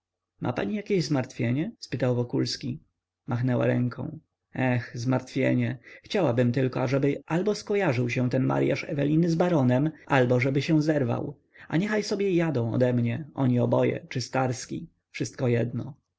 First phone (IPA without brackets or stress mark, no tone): m